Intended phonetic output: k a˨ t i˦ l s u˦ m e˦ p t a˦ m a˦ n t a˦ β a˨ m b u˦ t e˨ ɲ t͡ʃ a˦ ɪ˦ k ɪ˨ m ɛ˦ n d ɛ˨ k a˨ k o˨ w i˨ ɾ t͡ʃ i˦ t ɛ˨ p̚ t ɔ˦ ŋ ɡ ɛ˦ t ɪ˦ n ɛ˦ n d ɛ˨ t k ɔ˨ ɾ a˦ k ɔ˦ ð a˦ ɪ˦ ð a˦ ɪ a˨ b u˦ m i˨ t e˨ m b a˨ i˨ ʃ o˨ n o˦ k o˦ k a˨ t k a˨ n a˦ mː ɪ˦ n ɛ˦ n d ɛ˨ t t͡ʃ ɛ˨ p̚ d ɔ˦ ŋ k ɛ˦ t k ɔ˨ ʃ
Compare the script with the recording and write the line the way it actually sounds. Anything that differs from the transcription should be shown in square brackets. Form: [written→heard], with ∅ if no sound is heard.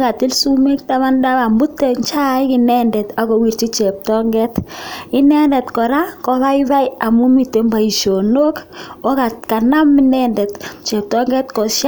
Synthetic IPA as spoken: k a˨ t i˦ l s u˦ m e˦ [p→k] t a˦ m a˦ n [t→d] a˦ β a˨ m b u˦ t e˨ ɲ t͡ʃ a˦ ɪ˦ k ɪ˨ [m→n] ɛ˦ n d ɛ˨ [k→t] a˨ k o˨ w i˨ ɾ t͡ʃ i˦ [t→t͡ʃ] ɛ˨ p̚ t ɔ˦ ŋ ɡ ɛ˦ t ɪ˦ n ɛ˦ n d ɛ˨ t k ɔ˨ ɾ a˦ k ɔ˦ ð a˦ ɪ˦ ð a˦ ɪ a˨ [b→m] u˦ m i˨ t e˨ m b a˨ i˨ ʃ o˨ n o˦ k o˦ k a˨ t k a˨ n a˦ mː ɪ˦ n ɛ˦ n d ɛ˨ t t͡ʃ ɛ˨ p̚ [d→t] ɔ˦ ŋ [k→ɡ] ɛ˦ t k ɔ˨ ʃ